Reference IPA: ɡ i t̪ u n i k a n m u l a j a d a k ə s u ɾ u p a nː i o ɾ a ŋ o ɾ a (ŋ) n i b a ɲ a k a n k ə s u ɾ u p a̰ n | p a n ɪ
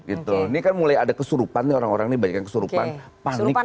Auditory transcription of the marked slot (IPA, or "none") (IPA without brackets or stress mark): ŋ